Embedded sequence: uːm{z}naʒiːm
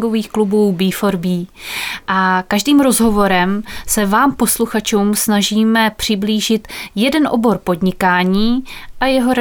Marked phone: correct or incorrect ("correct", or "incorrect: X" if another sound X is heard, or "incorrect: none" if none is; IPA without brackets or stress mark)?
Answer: incorrect: s